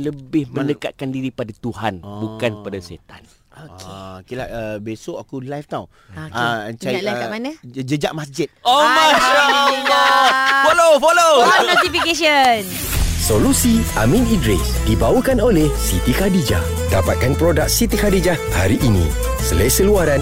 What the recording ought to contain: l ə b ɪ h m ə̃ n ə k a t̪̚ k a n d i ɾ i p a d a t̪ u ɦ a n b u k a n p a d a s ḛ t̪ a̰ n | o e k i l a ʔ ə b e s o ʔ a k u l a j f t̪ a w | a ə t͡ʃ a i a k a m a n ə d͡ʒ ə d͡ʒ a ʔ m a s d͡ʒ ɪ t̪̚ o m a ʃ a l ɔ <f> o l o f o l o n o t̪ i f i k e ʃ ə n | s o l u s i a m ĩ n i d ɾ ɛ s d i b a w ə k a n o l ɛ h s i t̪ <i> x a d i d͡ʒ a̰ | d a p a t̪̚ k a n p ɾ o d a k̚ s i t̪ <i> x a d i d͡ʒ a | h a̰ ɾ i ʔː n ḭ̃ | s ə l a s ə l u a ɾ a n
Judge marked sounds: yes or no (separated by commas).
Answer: yes, yes, yes